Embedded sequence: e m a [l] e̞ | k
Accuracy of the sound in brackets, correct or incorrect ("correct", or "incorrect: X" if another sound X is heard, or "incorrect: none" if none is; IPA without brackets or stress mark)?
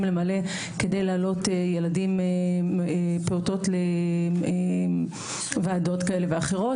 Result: correct